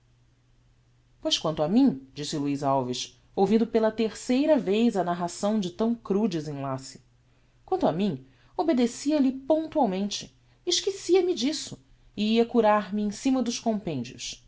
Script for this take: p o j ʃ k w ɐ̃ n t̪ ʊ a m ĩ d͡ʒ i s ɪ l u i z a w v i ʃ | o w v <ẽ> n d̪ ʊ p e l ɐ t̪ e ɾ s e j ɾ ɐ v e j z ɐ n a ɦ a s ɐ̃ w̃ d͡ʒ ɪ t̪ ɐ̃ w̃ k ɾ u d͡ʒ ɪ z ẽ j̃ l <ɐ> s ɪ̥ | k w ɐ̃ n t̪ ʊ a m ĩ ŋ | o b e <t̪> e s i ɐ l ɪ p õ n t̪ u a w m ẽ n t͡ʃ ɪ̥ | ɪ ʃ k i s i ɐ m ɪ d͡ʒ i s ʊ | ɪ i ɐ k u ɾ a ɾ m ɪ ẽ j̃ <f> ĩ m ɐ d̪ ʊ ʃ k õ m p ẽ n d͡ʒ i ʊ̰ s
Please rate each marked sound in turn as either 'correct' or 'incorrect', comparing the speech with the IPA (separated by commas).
incorrect, incorrect, incorrect, incorrect